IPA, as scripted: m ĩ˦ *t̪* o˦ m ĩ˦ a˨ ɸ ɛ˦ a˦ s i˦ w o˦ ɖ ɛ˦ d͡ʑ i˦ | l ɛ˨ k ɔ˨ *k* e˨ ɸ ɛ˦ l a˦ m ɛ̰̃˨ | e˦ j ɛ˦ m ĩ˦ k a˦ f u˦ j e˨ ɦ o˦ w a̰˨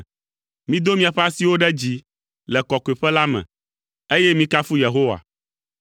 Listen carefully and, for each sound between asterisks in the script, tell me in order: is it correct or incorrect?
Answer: incorrect: d̪, correct

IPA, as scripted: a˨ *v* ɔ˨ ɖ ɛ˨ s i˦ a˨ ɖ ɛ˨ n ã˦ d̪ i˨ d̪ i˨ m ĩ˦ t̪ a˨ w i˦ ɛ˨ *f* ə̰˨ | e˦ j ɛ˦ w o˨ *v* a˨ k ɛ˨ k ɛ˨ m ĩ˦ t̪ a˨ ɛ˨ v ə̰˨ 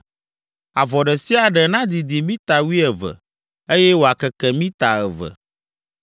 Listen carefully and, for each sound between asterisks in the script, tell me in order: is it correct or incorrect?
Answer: correct, incorrect: v, incorrect: none

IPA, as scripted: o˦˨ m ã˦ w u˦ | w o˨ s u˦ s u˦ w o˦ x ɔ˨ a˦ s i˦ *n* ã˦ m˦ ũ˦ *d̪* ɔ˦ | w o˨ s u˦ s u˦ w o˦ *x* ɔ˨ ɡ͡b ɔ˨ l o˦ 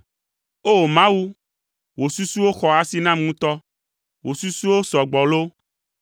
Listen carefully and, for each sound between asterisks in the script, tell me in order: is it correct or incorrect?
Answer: correct, incorrect: t̪, incorrect: s

